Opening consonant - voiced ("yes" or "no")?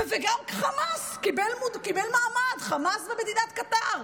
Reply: yes